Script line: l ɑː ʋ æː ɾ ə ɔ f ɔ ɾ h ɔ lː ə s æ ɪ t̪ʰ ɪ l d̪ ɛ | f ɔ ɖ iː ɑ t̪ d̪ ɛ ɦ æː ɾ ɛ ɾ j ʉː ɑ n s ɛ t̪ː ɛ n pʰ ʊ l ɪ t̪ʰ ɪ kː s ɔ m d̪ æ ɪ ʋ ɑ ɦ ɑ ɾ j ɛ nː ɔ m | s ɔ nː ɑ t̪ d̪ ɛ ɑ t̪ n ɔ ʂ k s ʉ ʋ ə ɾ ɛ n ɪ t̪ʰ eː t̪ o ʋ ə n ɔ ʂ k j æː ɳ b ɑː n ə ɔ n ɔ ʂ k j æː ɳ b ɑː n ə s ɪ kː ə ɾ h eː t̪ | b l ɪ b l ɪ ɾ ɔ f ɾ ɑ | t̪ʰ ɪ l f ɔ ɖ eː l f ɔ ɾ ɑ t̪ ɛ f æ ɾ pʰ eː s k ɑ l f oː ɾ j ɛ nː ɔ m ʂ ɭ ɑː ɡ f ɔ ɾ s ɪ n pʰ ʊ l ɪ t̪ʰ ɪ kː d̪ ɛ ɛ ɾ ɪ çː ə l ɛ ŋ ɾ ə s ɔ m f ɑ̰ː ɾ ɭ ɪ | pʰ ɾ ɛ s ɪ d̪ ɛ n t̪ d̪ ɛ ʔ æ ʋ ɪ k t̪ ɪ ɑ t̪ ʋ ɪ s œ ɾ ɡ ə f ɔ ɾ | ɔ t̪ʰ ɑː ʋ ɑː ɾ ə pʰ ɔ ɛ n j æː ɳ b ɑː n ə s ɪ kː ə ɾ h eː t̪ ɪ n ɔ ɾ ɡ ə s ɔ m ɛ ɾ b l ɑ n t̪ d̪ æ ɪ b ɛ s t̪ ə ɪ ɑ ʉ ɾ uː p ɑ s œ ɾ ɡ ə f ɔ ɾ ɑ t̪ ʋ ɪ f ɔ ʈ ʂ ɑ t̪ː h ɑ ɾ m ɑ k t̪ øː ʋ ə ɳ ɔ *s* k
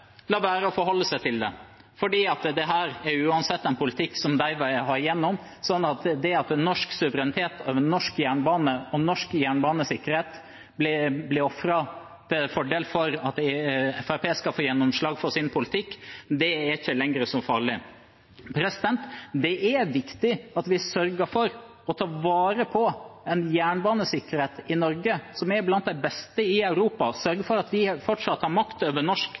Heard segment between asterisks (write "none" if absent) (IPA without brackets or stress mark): ʂ